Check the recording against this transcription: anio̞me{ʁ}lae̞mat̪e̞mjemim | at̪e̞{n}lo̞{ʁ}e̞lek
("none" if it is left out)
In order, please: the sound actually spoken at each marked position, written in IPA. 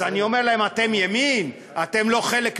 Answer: ʁ, m, χ

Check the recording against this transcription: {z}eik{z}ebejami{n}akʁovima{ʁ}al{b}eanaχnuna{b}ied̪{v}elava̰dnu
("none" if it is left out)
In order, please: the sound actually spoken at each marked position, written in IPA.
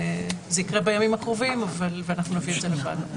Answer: z, ʁ, m, v, v, v, z

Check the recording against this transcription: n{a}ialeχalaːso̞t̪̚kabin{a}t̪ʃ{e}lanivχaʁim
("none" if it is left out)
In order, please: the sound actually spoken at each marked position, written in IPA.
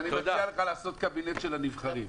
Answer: i, e, e

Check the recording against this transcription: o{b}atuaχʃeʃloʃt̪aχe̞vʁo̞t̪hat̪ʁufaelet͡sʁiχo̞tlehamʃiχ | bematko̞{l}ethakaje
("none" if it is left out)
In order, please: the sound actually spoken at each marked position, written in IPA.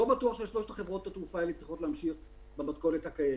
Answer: b, l

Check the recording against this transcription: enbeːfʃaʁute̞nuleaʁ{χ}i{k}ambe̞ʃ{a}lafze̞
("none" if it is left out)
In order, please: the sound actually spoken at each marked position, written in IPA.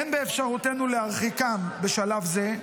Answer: χ, k, a

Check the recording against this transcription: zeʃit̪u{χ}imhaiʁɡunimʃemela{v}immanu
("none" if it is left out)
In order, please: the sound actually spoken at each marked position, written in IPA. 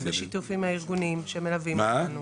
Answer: f, v

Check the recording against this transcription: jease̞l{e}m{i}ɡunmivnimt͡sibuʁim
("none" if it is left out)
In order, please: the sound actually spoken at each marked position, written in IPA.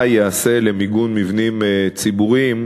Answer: e, i

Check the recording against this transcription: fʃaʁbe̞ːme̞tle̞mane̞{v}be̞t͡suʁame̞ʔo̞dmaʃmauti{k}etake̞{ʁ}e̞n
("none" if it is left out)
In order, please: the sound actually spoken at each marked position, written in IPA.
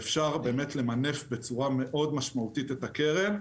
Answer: f, t, ʁ

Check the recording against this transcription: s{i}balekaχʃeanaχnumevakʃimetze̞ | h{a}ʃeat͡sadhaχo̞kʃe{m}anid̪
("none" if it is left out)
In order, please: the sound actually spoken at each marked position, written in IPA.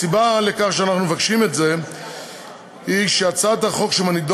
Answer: i, i, m

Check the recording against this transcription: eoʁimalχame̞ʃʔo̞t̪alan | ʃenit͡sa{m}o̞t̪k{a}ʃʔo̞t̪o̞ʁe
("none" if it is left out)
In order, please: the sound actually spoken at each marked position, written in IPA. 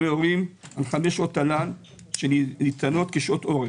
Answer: n, e

